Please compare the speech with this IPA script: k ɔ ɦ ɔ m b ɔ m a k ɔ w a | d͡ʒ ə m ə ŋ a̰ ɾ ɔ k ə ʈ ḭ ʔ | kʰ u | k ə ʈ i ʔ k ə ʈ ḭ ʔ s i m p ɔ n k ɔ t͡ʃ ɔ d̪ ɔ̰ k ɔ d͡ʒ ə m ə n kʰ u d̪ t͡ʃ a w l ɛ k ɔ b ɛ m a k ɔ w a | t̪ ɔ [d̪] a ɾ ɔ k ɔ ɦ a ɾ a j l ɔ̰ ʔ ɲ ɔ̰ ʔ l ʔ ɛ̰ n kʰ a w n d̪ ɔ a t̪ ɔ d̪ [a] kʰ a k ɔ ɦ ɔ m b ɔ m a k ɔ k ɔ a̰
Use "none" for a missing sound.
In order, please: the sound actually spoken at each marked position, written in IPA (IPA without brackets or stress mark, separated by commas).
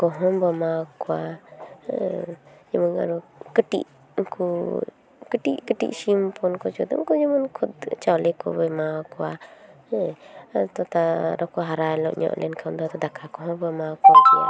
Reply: t̪, a